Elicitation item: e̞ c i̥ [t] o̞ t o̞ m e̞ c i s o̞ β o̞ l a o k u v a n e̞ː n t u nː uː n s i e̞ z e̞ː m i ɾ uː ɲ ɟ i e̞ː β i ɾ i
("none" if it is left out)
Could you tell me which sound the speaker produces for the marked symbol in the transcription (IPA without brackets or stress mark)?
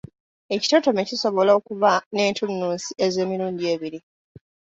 t